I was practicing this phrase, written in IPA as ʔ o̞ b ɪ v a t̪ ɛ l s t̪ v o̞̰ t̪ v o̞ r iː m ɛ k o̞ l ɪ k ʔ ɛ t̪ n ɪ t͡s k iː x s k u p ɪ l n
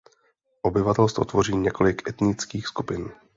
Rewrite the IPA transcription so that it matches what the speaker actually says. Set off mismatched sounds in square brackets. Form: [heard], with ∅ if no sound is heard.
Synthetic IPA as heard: ʔ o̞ b ɪ v a t̪ ɛ l s t̪ v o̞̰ t̪ v o̞ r iː [ɲ] ɛ k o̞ l ɪ k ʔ ɛ t̪ n ɪ t͡s k iː x s k u p ɪ [∅] n